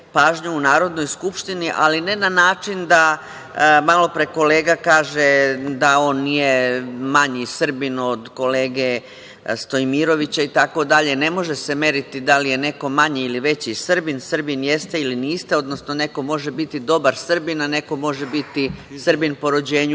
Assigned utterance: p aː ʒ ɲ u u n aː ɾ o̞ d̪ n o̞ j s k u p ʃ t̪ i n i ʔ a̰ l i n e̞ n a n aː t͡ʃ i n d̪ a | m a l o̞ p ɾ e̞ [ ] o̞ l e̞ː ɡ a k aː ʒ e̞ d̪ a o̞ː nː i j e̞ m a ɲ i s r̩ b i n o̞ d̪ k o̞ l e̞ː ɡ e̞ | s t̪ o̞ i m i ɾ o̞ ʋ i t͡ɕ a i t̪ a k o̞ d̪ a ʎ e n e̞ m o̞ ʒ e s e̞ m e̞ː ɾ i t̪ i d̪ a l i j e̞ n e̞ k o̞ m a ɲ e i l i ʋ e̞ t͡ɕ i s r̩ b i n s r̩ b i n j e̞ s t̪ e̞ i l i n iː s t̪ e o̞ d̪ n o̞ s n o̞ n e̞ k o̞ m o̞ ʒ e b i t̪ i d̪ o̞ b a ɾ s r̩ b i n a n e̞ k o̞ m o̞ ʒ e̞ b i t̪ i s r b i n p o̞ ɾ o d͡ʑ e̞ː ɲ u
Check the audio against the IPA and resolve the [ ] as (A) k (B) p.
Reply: A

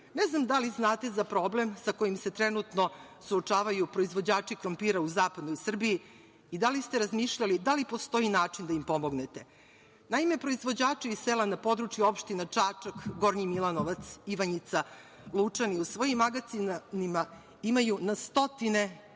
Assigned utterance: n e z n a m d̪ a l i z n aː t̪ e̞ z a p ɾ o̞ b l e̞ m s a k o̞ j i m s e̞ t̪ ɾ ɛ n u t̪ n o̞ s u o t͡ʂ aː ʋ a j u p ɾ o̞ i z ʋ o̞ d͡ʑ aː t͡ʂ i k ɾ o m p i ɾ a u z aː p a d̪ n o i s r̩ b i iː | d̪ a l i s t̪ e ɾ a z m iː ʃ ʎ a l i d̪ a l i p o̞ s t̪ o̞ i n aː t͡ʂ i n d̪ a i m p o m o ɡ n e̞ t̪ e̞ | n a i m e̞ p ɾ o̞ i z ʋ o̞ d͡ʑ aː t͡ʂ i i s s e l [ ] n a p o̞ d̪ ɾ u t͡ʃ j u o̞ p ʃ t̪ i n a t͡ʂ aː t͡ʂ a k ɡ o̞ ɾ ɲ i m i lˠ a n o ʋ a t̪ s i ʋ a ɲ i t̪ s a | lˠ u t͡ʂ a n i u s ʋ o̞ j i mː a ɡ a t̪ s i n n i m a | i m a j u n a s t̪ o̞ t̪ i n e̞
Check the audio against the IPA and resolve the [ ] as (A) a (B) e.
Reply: A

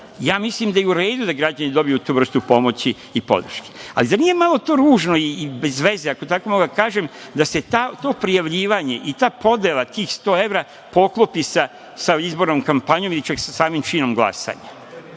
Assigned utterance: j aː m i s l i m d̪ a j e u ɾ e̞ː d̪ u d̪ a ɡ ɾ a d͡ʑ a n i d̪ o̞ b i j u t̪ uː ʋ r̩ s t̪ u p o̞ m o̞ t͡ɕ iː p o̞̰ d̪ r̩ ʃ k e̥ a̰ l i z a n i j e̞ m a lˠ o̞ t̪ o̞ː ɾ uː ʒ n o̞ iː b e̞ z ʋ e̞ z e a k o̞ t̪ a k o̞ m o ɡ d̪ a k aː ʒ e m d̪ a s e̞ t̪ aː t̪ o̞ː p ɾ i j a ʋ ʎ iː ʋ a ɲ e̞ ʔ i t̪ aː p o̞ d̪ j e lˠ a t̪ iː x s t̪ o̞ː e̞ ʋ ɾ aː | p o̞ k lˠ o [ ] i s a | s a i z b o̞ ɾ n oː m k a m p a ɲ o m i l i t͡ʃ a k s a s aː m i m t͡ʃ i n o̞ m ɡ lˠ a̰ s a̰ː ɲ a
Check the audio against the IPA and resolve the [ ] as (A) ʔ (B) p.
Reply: B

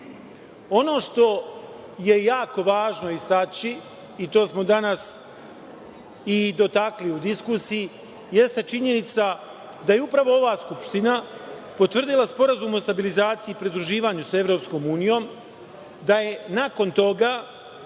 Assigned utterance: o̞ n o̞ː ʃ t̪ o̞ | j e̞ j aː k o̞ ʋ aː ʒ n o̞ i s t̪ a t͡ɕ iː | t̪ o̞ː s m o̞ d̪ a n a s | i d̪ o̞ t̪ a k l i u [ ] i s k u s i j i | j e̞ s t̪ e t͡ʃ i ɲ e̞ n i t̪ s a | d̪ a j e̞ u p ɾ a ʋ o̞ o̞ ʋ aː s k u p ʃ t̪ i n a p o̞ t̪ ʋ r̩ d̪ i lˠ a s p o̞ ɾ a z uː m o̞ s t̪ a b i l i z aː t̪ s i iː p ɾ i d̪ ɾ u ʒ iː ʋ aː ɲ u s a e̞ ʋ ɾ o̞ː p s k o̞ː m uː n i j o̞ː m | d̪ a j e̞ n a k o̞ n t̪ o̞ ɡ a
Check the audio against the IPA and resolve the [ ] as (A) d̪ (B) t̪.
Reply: A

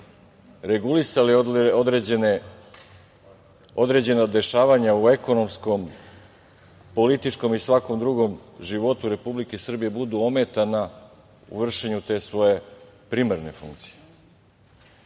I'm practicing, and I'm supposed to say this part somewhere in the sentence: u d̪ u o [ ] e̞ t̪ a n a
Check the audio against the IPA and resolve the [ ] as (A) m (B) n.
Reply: A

